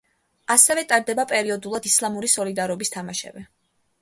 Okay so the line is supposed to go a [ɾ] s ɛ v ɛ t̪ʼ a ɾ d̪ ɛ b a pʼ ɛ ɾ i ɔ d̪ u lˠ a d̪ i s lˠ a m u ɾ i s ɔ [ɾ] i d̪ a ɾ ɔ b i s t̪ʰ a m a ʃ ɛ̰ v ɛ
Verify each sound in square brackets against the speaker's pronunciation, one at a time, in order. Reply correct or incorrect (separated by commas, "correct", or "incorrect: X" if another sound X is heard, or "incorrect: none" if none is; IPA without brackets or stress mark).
incorrect: none, incorrect: l